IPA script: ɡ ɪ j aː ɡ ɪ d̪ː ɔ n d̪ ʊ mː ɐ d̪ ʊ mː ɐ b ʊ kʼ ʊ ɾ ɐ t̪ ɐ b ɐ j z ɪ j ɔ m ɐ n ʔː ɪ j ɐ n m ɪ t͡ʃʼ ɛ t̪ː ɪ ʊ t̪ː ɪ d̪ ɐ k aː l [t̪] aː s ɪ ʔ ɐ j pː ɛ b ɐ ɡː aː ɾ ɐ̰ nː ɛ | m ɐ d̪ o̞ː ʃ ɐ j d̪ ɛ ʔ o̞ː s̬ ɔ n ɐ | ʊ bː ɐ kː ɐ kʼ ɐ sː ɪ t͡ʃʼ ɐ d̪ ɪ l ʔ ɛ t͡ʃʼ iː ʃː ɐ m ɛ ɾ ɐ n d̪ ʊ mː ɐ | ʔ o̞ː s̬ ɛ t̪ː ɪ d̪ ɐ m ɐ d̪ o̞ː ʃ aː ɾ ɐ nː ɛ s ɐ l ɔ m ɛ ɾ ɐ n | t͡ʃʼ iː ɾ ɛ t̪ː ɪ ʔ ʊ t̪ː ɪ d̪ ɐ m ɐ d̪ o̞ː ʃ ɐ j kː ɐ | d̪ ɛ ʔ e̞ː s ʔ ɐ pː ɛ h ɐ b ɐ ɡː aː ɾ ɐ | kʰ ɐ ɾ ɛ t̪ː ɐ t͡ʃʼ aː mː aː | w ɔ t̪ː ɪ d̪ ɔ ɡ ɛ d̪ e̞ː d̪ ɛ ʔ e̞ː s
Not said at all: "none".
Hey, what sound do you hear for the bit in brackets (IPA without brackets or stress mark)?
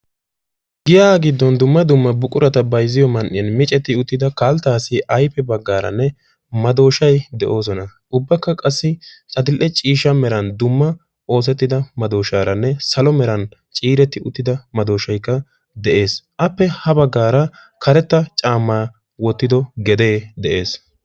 t̪